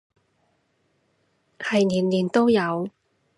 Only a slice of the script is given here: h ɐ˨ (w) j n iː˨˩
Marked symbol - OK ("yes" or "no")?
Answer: no